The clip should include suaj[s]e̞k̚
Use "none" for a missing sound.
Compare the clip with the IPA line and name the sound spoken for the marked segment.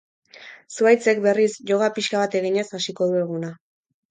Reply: t͡s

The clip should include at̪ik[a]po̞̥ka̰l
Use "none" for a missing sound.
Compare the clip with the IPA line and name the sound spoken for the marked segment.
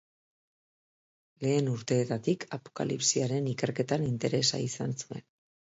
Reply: a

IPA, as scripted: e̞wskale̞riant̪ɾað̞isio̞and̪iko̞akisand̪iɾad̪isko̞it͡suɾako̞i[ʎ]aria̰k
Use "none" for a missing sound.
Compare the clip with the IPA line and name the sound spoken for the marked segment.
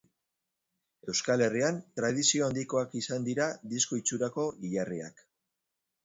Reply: ʎ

